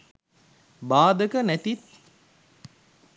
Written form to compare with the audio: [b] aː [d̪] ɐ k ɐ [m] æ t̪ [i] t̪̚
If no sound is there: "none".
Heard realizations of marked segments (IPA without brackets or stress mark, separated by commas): b, d̪, n, i